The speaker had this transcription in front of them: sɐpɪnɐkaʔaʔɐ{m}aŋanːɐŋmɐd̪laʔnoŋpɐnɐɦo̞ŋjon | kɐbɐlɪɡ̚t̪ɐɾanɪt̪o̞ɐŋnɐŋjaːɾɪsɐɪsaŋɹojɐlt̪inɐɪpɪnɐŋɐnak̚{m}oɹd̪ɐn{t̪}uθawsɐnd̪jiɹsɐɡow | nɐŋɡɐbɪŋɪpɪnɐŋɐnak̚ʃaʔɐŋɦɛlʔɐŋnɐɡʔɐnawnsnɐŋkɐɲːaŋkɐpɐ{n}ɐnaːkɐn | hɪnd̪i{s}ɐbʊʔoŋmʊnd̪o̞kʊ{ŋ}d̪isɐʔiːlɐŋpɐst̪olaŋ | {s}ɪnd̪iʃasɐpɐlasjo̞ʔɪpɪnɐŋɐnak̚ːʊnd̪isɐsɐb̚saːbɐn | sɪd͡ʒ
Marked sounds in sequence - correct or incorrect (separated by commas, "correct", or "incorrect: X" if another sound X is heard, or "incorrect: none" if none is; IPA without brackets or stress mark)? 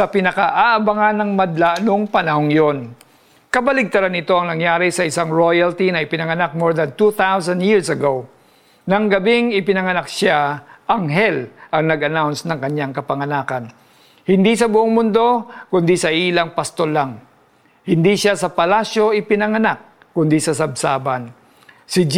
incorrect: b, correct, correct, incorrect: ŋ, correct, incorrect: n, incorrect: h